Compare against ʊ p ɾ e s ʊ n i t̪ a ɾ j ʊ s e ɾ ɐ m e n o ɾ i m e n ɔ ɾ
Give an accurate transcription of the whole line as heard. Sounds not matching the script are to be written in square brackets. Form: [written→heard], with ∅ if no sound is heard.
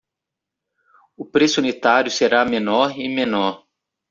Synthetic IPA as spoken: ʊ p ɾ e s [ʊ→u] n i t̪ a ɾ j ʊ s e ɾ [ɐ→a] m e n [o→ɔ] ɾ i m e n ɔ ɾ